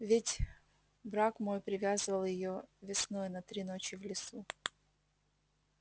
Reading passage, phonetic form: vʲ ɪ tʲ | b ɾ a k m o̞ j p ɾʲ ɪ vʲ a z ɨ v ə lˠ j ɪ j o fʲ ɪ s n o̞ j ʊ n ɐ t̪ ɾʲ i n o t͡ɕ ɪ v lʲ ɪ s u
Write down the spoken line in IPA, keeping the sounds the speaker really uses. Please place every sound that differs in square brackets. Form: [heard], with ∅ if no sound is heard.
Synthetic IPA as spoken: vʲ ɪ tʲ | b ɾ a k m o̞ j p ɾʲ ɪ vʲ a z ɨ v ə lˠ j ɪ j o [vʲ] ɪ s n o̞ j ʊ n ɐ t̪ ɾʲ i n o t͡ɕ ɪ v lʲ ɪ s u

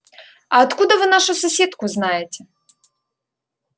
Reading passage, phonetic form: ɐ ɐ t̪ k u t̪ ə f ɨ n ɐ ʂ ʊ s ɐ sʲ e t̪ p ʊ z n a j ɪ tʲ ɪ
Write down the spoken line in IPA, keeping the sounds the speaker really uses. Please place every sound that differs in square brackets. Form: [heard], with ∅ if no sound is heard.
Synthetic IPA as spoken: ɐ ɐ t̪ k u [d̪] ə [v] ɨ n [a] ʂ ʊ s ɐ sʲ e t̪ [k] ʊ z n a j ɪ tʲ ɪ

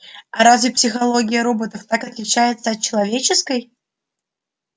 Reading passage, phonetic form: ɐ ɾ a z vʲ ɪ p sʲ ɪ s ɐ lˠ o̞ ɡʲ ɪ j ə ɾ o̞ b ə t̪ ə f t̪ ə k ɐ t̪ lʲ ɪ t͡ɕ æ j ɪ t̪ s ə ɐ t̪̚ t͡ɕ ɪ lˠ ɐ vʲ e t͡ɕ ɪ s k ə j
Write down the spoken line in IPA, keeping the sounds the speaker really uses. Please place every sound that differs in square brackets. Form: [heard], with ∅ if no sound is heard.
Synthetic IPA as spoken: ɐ ɾ a z vʲ ɪ p sʲ ɪ [x] ɐ lˠ o̞ ɡʲ ɪ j ə ɾ o̞ b ə t̪ ə f t̪ [a] k ɐ t̪ lʲ ɪ t͡ɕ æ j ɪ t̪ s ə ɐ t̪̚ t͡ɕ ɪ lˠ ɐ vʲ e t͡ɕ ɪ s k ə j

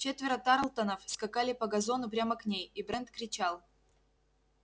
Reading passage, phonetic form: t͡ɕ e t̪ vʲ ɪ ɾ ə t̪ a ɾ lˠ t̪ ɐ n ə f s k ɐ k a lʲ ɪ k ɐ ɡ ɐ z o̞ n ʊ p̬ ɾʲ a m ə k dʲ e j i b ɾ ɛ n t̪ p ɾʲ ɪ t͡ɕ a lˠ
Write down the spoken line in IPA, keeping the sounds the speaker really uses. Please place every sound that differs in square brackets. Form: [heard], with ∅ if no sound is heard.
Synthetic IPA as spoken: t͡ɕ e t̪ vʲ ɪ ɾ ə t̪ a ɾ lˠ t̪ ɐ n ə f s k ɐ k a lʲ ɪ [p] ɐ ɡ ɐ z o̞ n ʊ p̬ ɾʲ a m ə k [nʲ] e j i b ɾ ɛ n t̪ [k] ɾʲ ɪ t͡ɕ a lˠ

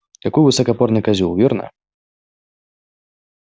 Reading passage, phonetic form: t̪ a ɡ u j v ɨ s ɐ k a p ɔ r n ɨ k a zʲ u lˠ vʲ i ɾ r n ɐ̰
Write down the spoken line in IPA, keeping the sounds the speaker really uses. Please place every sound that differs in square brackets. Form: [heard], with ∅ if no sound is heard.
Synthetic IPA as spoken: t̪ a [k] u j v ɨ s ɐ k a p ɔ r n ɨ k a zʲ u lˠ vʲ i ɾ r n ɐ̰

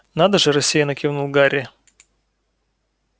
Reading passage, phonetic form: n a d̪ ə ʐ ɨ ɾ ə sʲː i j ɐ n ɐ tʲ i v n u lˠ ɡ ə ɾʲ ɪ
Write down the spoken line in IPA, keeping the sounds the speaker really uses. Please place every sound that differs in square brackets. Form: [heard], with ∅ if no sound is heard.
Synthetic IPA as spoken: n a d̪ ə ʐ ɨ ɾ [ɐ] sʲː i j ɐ n ɐ [kʲ] i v n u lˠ ɡ [a] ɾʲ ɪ

